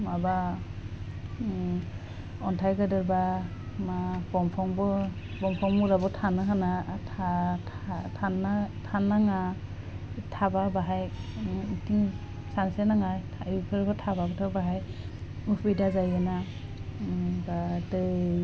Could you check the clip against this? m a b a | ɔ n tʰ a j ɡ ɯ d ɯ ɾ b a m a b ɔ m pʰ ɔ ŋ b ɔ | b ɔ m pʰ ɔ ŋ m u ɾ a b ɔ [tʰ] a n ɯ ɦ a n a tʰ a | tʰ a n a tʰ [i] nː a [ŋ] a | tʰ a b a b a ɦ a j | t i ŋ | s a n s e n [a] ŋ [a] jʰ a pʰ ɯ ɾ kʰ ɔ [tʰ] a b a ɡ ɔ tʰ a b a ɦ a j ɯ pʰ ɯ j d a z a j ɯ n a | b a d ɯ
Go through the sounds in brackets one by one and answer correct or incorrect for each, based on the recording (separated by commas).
correct, incorrect, correct, correct, correct, correct